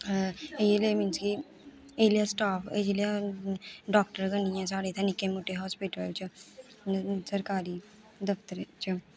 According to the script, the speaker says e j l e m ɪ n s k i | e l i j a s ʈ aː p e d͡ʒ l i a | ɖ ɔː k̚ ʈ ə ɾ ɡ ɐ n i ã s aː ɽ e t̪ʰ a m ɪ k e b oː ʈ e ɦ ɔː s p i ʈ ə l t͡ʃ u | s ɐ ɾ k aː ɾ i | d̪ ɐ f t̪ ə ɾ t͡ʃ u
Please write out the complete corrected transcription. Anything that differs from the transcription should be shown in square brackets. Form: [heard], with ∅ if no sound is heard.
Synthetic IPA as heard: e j l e m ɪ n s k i | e l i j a s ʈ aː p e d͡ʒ l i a | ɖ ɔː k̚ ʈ ə ɾ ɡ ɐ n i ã s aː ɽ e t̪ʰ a [n] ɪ k e [m] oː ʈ e ɦ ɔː s p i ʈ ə l t͡ʃ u | s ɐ ɾ k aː ɾ i | d̪ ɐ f t̪ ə ɾ t͡ʃ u